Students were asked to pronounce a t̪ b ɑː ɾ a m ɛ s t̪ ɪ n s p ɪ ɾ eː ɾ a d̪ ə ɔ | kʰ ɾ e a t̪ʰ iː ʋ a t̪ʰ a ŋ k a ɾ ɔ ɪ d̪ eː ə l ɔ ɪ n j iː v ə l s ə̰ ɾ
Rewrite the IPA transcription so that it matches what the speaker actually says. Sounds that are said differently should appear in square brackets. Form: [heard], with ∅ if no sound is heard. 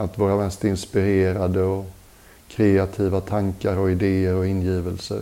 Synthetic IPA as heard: a t̪ [v] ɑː ɾ a m ɛ s t̪ ɪ n s p ɪ ɾ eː ɾ a d̪ ə ɔ | kʰ ɾ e a t̪ʰ iː [v] a t̪ʰ a ŋ k a ɾ ɔ ɪ d̪ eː ə [ɾ] ɔ ɪ n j iː v ə l s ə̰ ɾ